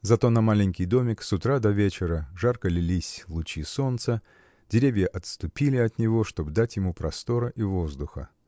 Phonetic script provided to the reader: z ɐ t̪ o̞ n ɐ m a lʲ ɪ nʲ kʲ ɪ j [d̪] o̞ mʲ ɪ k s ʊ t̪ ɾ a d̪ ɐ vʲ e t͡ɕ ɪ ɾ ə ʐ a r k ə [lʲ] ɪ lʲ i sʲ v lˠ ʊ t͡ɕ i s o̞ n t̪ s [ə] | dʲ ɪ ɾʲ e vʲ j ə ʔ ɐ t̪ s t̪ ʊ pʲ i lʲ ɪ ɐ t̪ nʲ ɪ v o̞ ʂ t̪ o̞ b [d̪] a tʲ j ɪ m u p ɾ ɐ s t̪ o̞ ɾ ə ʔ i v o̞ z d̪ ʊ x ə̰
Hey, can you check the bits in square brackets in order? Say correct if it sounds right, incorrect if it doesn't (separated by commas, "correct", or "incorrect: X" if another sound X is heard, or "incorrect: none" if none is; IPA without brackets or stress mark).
correct, correct, correct, correct